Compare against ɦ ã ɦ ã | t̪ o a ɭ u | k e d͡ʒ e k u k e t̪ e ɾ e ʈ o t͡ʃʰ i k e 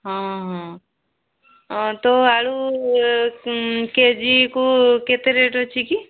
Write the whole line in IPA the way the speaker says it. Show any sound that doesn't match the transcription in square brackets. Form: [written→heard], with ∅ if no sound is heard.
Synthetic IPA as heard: ɦ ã ɦ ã | t̪ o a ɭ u | k e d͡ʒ [e→i] k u k e t̪ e ɾ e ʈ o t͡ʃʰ i k [e→i]